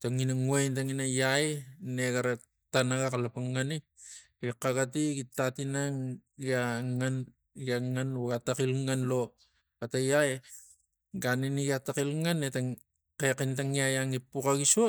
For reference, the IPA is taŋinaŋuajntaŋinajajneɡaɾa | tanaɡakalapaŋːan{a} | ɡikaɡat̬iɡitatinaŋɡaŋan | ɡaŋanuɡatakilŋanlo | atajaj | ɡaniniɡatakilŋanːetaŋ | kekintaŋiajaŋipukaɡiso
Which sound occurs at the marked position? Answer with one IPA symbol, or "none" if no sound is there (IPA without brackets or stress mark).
i